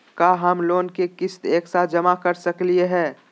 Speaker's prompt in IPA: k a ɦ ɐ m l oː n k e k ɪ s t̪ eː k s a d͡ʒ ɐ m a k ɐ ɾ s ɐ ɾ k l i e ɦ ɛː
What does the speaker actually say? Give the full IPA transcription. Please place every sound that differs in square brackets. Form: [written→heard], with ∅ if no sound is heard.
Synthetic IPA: k a ɦ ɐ m l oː n k e k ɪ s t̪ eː k s a d͡ʒ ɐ m a k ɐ ɾ s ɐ [ɾ→∅] k l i e ɦ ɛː

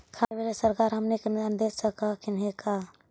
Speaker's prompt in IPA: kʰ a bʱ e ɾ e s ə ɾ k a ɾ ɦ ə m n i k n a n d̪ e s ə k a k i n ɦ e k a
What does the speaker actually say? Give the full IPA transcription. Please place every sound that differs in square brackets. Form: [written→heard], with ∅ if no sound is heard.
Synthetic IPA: kʰ a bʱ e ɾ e s ə ɾ k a ɾ ɦ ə m n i k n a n d̪ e s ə k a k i n ɦ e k a

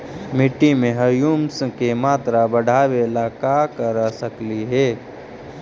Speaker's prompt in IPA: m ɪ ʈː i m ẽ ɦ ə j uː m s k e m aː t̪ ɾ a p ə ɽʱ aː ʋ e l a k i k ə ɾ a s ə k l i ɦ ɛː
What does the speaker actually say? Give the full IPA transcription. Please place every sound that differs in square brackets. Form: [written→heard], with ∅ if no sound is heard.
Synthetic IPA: m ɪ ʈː i m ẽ ɦ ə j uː m s k e m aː t̪ ɾ a [p→b] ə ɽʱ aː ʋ e l a k [i→a] k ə ɾ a s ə k l i ɦ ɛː

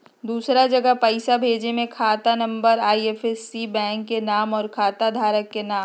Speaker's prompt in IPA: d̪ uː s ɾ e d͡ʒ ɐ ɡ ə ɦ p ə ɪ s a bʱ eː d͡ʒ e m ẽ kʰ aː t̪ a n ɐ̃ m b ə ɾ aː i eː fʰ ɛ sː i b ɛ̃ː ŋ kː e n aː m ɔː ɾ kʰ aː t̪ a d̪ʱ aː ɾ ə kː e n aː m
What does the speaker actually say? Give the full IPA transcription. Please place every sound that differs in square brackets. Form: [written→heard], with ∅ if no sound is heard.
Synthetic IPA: d̪ uː s ɾ [e→a] d͡ʒ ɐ ɡ ə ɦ p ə ɪ s a bʱ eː d͡ʒ e m ẽ kʰ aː t̪ a n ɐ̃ m b ə ɾ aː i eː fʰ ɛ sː i b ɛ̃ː ŋ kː e n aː m ɔː ɾ kʰ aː t̪ a d̪ʱ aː ɾ ə kː e n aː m

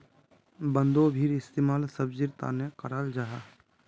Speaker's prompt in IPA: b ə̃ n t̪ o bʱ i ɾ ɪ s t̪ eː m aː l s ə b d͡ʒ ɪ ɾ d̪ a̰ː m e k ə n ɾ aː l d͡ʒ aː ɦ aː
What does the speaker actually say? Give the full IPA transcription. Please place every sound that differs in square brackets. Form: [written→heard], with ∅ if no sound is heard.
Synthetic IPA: b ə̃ n [t̪→d̪] o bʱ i ɾ ɪ s t̪ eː m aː l s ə b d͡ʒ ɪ ɾ [d̪→t̪] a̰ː [m→n] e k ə [n→∅] ɾ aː l d͡ʒ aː ɦ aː

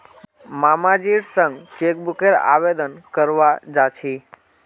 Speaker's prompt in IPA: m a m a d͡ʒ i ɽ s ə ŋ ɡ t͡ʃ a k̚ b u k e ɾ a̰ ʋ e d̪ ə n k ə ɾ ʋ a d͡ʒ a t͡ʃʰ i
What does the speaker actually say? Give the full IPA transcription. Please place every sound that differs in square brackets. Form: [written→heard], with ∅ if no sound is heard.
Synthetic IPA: m a m a d͡ʒ i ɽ s ə ŋ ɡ t͡ʃ [a→e] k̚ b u k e ɾ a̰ ʋ e d̪ ə n k ə ɾ ʋ a d͡ʒ a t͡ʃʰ i

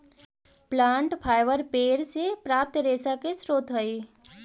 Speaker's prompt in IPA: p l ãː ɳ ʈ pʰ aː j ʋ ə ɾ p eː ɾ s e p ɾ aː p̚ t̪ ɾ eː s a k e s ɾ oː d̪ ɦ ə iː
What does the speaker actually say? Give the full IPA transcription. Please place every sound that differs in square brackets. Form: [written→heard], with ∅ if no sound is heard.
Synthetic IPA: p l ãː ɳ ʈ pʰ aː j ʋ ə ɾ p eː ɾ s e p ɾ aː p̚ t̪ ɾ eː s a k e s ɾ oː [d̪→t̪] ɦ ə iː

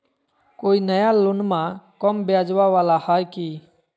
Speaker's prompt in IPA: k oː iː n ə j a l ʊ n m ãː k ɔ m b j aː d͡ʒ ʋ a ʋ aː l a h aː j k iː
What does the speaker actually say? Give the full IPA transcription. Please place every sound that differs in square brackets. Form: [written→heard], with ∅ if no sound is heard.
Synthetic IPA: k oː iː n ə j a l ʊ n m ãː k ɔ m b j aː d͡ʒ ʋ a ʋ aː l a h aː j k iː

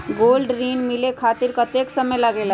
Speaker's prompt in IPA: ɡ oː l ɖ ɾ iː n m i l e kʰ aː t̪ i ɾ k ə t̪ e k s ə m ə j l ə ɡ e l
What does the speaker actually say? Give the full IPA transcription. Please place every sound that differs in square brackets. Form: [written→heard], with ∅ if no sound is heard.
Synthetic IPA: ɡ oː l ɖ ɾ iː n m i l e kʰ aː t̪ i ɾ k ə t̪ e k s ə m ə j l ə ɡ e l

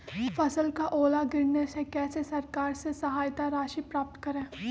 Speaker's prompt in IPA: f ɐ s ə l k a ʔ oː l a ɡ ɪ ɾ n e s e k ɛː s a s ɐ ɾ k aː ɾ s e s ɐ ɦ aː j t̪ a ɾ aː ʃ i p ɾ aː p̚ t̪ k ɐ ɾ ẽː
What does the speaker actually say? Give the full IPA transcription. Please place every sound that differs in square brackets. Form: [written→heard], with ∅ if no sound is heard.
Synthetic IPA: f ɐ s ə l k a ʔ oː l a ɡ ɪ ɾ n e s e k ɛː s [a→e] s ɐ ɾ k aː ɾ s e s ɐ ɦ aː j t̪ a ɾ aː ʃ i p ɾ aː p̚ t̪ k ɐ ɾ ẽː

